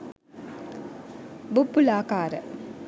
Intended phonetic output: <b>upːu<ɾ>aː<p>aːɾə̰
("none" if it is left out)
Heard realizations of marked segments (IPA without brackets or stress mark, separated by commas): b, l, k